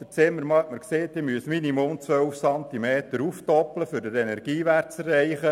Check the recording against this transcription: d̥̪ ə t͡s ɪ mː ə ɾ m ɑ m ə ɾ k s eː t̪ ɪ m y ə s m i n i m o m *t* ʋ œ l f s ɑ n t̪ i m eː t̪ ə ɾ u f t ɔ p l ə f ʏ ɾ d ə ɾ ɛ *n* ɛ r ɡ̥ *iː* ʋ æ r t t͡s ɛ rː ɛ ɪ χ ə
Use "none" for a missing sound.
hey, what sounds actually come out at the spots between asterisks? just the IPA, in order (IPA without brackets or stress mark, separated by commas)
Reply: t͡s, n, iː